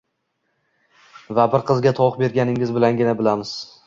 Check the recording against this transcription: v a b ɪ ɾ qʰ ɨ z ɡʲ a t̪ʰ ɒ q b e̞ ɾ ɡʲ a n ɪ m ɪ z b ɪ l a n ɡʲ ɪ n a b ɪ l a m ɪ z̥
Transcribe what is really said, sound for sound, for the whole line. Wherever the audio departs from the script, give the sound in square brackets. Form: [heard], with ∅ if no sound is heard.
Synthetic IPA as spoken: v a b ɪ ɾ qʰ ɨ z ɡʲ a t̪ʰ ɒ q b e̞ ɾ ɡʲ a n ɪ [ŋ] ɪ z b ɪ l a n ɡʲ ɪ n a b ɪ l a m ɪ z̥